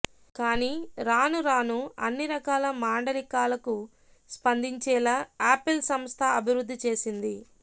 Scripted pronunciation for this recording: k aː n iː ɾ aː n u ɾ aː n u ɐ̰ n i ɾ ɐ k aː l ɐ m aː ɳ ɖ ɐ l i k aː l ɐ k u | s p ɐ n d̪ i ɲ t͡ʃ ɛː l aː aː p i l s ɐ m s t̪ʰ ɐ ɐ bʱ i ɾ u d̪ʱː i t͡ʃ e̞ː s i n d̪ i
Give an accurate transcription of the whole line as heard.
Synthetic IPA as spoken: k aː n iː ɾ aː n u ɾ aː n u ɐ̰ nː i ɾ ɐ k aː l ɐ m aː ɳ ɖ ɐ l i k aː l ɐ k u | s p ɐ n d̪ i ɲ t͡ʃ ɛː l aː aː p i l s ɐ m s t̪ʰ ɐ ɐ bʱ i ɾ u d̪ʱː i t͡ʃ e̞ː s i n d̪ i